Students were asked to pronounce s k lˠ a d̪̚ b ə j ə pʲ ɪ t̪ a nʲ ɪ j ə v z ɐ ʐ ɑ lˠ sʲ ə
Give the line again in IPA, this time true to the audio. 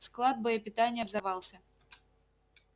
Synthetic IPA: s k lˠ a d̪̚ b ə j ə pʲ ɪ t̪ a nʲ ɪ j ə v z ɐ v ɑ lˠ sʲ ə